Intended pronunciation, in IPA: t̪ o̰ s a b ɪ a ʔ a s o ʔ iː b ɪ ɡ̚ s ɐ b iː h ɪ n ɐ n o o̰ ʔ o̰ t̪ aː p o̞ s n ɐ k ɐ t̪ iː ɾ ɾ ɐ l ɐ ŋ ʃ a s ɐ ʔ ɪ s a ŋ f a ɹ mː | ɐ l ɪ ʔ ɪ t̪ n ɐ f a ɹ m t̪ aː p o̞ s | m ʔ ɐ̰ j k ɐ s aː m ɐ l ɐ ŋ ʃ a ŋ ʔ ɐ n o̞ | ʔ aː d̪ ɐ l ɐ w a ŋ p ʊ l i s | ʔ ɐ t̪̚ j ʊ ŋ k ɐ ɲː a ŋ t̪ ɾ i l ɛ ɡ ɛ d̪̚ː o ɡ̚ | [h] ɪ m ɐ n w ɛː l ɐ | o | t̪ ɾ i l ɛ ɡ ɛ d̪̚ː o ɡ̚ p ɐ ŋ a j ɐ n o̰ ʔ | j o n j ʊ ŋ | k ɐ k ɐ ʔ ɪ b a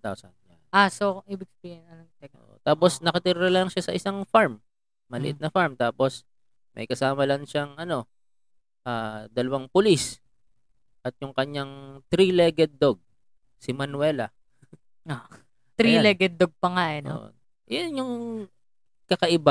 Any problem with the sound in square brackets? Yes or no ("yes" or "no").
yes